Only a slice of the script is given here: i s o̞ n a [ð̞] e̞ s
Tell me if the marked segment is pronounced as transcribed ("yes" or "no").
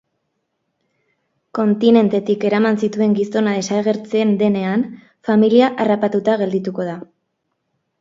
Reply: yes